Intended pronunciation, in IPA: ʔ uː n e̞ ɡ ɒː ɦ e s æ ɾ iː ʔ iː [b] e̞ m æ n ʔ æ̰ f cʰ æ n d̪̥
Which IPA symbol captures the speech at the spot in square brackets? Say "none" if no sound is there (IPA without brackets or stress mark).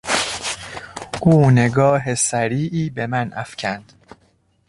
b